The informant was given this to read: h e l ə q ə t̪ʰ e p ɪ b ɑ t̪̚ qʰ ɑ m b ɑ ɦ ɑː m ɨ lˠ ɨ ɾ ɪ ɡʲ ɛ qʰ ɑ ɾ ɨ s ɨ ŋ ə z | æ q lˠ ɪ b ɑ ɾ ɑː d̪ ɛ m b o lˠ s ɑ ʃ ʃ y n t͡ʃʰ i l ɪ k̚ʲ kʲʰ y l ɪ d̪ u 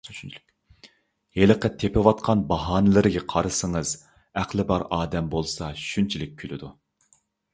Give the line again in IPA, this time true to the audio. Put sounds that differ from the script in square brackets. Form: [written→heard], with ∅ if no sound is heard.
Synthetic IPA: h e l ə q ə t̪ʰ e p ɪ [b→w] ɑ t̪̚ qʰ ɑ [m→n] b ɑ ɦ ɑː [m→n] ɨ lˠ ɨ ɾ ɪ ɡʲ ɛ qʰ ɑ ɾ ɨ s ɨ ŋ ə z | æ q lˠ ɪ b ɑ ɾ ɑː d̪ ɛ m b o lˠ s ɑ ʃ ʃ y n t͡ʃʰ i l ɪ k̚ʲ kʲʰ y l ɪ d̪ u

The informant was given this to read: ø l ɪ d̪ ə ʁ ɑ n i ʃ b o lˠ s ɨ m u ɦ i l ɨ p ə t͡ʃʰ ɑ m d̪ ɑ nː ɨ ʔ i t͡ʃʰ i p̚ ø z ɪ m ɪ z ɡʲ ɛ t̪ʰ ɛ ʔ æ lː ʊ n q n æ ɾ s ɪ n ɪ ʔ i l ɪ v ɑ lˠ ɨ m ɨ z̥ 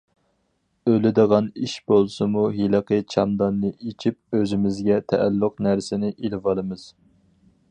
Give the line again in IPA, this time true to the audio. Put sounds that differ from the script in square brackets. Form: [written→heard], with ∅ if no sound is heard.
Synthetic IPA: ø l ɪ d̪ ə ʁ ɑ n i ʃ b o lˠ s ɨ m u ɦ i l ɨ [p→q] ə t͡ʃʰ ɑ m d̪ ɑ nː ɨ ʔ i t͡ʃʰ i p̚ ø z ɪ m ɪ z ɡʲ ɛ t̪ʰ ɛ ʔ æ lː ʊ [n→∅] q n æ ɾ s ɪ n ɪ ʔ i l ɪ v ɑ lˠ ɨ m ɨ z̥

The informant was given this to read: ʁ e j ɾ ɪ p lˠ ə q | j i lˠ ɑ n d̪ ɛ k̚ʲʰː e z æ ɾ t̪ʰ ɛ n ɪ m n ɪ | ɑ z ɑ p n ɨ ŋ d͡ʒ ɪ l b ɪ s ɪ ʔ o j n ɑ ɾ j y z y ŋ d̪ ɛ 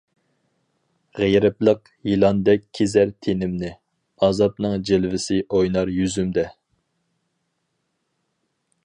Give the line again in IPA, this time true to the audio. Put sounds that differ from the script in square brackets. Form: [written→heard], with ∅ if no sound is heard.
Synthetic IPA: ʁ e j ɾ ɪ p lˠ ə q | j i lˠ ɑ n d̪ ɛ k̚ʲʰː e z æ ɾ t̪ʰ [ɛ→e] n ɪ m n ɪ | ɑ z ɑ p n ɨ ŋ d͡ʒ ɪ l [b→v] ɪ s ɪ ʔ o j n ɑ ɾ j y z y [ŋ→m] d̪ ɛ

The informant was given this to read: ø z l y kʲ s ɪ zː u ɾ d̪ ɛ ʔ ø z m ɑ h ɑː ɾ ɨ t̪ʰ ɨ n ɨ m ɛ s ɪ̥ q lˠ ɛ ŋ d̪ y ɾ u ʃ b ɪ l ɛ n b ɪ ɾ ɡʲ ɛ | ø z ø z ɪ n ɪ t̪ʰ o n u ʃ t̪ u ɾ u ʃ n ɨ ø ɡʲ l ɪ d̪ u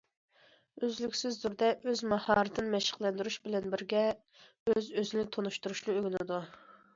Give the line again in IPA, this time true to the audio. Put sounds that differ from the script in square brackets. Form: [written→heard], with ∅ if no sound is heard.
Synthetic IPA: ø z l y kʲ s ɪ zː u ɾ d̪ ɛ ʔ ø z m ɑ h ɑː ɾ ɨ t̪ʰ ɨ n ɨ m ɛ [s→ʃ] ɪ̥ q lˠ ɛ [ŋ→n] d̪ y ɾ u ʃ b ɪ l ɛ n b ɪ ɾ ɡʲ ɛ | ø z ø z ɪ n ɪ t̪ʰ o n u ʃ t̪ u ɾ u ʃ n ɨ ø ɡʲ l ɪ d̪ u

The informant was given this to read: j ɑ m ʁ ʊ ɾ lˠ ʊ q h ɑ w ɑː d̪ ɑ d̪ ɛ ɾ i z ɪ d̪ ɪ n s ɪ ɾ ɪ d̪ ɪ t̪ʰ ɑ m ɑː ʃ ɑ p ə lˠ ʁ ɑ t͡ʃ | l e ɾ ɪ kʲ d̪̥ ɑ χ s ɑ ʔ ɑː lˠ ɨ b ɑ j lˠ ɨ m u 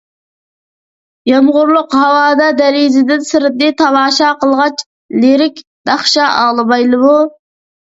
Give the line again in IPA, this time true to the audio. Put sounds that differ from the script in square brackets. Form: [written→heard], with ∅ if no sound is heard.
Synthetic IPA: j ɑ m ʁ ʊ ɾ lˠ ʊ q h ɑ w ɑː d̪ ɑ d̪ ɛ ɾ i z ɪ d̪ ɪ n s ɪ ɾ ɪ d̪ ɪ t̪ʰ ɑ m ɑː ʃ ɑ [p→q] ə lˠ ʁ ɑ t͡ʃ | l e ɾ ɪ kʲ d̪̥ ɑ χ [s→ʃ] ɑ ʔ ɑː lˠ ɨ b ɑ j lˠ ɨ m u

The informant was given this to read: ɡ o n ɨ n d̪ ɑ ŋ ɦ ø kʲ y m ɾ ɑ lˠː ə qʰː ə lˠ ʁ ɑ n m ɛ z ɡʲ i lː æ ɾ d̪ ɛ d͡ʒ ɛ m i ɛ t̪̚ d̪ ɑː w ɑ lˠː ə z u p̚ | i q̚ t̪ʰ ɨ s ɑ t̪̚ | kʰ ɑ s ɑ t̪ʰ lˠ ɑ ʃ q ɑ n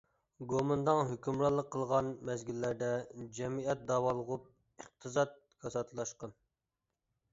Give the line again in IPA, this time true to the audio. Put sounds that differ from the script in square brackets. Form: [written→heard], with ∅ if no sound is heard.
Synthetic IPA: ɡ o [n→m] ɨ n d̪ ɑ ŋ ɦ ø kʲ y m ɾ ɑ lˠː ə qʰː ə lˠ ʁ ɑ n m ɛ z ɡʲ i lː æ ɾ d̪ ɛ d͡ʒ ɛ m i ɛ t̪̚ d̪ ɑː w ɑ [lˠː→lˠ] ə [z→ʁ] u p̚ | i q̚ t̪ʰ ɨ [s→z] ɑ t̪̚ | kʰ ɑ s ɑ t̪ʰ lˠ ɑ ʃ q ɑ n

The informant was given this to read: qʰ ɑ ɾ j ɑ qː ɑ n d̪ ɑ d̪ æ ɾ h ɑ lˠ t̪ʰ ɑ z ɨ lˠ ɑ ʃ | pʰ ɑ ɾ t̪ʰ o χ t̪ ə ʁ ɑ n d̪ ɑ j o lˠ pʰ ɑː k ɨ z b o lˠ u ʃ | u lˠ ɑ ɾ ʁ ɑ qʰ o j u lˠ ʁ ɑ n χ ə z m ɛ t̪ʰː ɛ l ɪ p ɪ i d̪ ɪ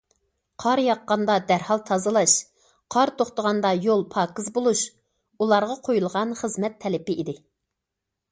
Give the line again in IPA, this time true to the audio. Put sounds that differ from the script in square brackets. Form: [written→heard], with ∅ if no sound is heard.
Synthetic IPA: qʰ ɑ ɾ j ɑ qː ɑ n d̪ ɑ d̪ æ ɾ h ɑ lˠ t̪ʰ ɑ z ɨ lˠ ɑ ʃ | [pʰ→qʰ] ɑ ɾ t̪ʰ o χ t̪ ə ʁ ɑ n d̪ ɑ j o lˠ pʰ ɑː k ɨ z b o lˠ u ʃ | u lˠ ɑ ɾ ʁ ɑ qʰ o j u lˠ ʁ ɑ n χ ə z m ɛ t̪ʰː ɛ l ɪ p ɪ i d̪ ɪ

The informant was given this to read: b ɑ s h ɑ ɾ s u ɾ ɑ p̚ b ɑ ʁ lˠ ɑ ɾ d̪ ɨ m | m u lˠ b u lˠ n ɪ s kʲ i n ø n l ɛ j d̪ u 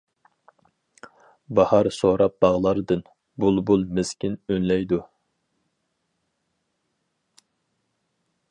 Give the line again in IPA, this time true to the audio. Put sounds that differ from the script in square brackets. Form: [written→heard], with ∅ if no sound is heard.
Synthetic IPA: b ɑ [s→∅] h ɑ ɾ s [u→o] ɾ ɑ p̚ b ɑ ʁ lˠ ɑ ɾ d̪ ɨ [m→n] | [m→b] u lˠ b u lˠ [n→m] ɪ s kʲ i n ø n l ɛ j d̪ u

